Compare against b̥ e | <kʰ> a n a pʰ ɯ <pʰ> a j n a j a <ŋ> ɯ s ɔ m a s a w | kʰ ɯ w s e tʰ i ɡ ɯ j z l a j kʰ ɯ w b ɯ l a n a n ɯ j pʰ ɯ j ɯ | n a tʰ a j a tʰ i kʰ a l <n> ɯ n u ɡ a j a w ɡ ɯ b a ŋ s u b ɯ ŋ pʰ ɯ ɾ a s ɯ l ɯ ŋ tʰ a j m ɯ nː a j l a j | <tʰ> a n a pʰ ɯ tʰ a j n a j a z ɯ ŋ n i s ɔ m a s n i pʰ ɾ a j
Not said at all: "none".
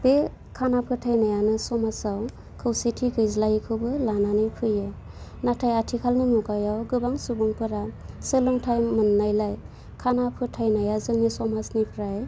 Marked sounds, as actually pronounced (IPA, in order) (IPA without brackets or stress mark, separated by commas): kʰ, tʰ, n, n, kʰ